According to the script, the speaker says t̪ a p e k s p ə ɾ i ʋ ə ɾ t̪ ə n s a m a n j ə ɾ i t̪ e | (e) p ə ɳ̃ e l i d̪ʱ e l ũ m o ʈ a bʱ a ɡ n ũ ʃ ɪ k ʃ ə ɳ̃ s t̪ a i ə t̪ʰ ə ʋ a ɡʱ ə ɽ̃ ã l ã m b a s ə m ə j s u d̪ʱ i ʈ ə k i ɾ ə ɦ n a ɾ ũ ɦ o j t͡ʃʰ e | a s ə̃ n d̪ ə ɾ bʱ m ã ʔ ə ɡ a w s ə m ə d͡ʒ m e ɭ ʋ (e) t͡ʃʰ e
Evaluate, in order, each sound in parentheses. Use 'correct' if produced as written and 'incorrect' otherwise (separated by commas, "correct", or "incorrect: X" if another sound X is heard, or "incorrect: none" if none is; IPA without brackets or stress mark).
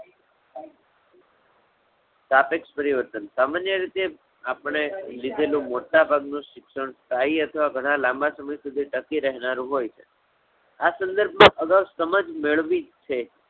incorrect: a, incorrect: i